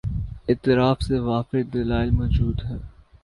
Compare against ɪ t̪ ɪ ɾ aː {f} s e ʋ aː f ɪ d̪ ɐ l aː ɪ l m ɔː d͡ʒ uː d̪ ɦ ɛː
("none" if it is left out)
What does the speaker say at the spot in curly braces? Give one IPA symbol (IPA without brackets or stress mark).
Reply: f